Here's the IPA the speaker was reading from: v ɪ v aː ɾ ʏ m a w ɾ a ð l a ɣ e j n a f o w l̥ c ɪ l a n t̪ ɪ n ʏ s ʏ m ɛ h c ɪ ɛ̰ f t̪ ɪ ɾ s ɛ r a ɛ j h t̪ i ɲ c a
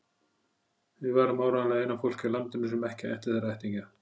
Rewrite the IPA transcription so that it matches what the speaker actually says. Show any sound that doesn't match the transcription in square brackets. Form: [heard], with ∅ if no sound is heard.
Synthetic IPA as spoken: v ɪ v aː ɾ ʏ m a w ɾ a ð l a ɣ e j n a f o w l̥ c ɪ l a n t̪ ɪ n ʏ s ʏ m ɛ h c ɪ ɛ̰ [h] t̪ ɪ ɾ [θ] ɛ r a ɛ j h t̪ i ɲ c a